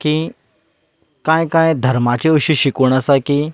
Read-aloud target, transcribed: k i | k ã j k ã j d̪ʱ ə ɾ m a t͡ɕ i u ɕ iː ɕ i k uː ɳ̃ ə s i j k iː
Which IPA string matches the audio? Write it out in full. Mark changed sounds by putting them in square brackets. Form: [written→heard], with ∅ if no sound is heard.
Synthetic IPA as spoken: k i | k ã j k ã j d̪ʱ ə ɾ m a t͡ɕ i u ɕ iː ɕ i k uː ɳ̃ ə s [i→a] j k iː